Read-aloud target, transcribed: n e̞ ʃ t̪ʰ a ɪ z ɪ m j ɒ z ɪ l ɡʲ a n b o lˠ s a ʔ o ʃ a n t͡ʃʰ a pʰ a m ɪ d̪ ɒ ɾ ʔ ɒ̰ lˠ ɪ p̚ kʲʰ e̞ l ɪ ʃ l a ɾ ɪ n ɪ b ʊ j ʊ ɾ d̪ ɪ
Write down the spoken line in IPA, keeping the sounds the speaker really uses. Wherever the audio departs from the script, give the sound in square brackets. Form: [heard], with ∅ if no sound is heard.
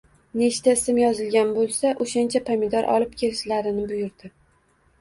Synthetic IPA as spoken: n e̞ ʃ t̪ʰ a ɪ [s] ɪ m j ɒ z ɪ l ɡʲ a n b o lˠ s a ʔ o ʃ a n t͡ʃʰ a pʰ a m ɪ d̪ ɒ ɾ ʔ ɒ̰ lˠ ɪ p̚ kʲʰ e̞ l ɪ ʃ l a ɾ ɪ n ɪ b ʊ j ʊ ɾ d̪ ɪ

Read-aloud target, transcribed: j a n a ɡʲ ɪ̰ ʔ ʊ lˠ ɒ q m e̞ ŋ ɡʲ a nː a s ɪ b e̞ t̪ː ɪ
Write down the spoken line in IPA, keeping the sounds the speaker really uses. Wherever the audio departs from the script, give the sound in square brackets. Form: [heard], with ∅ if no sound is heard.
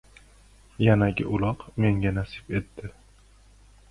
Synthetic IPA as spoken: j a n a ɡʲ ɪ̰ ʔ ʊ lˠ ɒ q m e̞ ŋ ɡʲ a [n] a s ɪ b e̞ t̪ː ɪ

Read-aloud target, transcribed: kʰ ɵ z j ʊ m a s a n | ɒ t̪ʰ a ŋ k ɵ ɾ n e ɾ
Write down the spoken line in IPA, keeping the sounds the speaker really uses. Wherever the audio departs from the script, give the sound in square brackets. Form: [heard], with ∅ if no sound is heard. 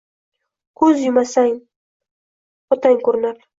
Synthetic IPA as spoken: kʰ ɵ z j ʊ m a s a [ŋ] | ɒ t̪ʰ a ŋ k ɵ ɾ n [a] ɾ

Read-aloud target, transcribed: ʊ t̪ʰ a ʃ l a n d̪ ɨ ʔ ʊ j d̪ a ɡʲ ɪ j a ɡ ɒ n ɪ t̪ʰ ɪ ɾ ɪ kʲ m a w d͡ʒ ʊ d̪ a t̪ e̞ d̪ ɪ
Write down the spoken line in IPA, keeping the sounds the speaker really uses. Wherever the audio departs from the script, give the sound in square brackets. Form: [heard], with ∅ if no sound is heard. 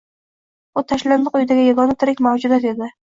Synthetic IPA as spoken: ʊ t̪ʰ a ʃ l a n d̪ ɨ [q] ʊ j d̪ a ɡʲ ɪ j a ɡ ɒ n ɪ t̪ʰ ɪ ɾ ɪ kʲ m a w d͡ʒ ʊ d̪ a t̪ e̞ d̪ ɪ

